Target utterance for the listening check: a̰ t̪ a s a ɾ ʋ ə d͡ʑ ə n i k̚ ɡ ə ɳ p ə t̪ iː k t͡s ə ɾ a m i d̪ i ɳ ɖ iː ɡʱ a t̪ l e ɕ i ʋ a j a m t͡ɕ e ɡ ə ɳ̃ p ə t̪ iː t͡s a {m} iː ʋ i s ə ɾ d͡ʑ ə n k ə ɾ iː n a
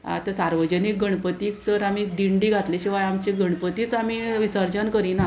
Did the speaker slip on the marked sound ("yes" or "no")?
no